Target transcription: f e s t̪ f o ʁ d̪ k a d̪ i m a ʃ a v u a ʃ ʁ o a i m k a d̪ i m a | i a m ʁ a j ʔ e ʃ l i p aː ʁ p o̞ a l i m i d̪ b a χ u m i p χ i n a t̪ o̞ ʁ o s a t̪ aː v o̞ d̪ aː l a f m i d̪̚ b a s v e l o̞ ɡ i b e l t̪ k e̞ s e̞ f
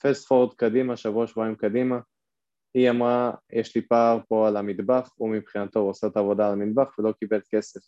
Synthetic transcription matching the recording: f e s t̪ f o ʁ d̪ k a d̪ i m a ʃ a v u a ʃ v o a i m k a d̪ i m a | i a m ʁ a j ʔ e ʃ l i p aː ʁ p o̞ a l a m i d̪ b a χ u m i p χ i n a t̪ o̞ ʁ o s a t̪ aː v o̞ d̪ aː l a m i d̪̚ b a χ v e l o̞ k i b e l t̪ k e̞ s e̞ f